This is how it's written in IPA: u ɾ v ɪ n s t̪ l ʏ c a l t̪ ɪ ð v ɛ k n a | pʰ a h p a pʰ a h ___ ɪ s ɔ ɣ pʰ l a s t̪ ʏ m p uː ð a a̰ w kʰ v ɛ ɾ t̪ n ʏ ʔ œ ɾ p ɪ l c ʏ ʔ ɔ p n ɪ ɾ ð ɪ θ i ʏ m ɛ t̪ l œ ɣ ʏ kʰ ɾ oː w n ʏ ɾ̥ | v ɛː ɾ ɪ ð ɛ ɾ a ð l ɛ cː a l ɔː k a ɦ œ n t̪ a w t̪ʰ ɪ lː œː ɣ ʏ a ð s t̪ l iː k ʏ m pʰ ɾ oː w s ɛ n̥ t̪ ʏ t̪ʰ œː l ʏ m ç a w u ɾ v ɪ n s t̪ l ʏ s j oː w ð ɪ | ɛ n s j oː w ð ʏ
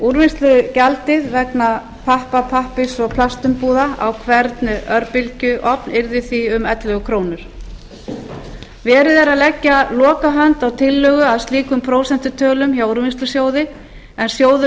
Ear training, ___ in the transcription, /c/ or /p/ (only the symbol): p